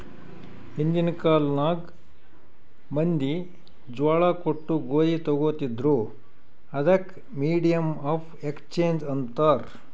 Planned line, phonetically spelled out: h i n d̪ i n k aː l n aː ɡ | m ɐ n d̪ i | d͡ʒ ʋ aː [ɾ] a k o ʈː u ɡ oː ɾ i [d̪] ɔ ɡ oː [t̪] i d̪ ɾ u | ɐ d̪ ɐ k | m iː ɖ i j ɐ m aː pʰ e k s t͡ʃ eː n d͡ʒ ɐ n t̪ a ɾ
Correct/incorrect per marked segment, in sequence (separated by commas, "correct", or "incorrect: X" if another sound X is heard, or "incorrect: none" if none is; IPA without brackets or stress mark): incorrect: ɭ, incorrect: t̪, correct